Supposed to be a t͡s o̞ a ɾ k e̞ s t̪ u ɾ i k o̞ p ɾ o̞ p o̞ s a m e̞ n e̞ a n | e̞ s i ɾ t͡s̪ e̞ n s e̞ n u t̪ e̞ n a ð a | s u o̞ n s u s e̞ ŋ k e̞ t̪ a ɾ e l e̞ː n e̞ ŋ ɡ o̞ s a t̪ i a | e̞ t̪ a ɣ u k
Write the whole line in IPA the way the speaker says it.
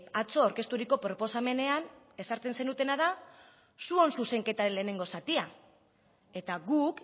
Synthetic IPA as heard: a t͡s o̞ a ɾ k e̞ s t̪ u ɾ i k o̞ p ɾ o̞ p o̞ s a m e̞ n e̞ a n | e̞ s a ɾ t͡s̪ e̞ n s e̞ n u t̪ e̞ n a ð a | s u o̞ n s u s e̞ ŋ k e̞ t̪ a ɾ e l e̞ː n e̞ ŋ ɡ o̞ s a t̪ i a | e̞ t̪ a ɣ u k